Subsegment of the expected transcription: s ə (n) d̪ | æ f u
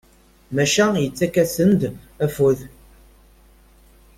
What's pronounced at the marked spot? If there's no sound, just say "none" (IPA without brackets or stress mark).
n